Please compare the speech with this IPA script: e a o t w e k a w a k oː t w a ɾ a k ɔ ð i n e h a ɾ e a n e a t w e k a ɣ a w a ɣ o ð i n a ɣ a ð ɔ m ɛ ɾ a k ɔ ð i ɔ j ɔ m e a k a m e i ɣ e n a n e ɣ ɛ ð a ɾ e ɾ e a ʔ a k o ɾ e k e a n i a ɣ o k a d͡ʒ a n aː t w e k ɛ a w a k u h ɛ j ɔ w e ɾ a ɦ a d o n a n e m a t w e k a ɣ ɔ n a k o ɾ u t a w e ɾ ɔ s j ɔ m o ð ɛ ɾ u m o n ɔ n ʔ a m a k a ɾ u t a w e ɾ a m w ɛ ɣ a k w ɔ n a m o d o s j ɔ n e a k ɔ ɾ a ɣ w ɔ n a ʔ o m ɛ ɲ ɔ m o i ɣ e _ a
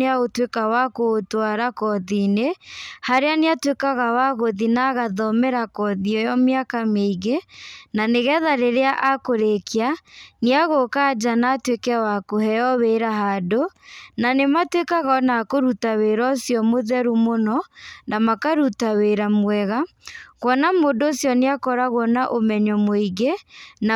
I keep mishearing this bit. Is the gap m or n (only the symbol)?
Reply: n